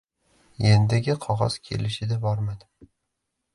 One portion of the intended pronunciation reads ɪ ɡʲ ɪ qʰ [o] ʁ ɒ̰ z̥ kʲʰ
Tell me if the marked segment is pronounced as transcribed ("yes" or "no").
no